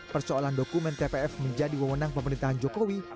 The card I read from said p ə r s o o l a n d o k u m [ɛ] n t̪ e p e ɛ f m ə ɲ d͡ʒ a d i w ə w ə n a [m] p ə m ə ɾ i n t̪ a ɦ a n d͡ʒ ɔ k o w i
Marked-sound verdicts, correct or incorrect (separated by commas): correct, incorrect